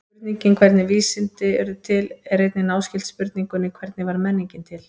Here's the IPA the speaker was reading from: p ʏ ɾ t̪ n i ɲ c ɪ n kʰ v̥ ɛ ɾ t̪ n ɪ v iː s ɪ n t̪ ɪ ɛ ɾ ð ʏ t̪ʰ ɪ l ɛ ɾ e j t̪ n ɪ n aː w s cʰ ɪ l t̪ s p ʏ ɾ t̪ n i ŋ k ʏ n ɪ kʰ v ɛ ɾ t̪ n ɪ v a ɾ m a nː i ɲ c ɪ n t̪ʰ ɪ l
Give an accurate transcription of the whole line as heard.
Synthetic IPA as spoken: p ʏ ɾ t̪ n i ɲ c ɪ n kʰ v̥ ɛ ɾ t̪ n ɪ v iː s ɪ n t̪ ɪ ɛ ɾ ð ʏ t̪ʰ ɪ l ɛ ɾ e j t̪ n ɪ n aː w s c ɪ l t̪ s p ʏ ɾ t̪ n i ŋ k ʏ n ɪ kʰ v ɛ ɾ t̪ n ɪ v a ɾ m ɛ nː i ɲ c ɪ n t̪ʰ ɪ l

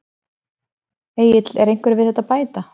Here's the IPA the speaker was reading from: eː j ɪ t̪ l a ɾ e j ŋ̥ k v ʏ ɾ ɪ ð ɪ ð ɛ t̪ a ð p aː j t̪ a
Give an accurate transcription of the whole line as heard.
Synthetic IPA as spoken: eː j ɪ t̪ l ɛ ɾ e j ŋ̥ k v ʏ ɾ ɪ v ɪ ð ɛ t̪ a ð p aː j t̪ a

